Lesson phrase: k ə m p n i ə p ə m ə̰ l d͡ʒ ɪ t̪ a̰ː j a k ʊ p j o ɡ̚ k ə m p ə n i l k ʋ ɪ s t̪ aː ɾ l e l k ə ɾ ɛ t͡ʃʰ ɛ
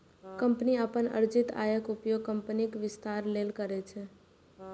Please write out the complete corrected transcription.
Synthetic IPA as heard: k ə m p n i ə p ə n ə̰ ɾ d͡ʒ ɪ t̪ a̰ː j ə k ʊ p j o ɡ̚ k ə m p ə n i k ʋ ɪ s t̪ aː ɾ l e l k ə ɾ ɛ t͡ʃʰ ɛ